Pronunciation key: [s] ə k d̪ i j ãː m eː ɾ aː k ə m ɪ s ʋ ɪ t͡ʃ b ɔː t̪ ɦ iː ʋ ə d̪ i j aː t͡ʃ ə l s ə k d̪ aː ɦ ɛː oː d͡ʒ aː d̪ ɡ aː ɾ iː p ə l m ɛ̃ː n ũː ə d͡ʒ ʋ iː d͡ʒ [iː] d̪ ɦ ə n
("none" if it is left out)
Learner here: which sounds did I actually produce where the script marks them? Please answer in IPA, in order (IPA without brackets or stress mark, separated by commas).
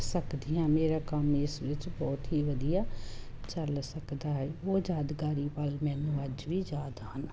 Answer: s, aː